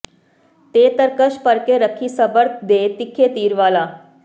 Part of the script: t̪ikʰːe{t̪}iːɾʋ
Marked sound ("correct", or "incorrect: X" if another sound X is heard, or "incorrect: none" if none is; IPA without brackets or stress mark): correct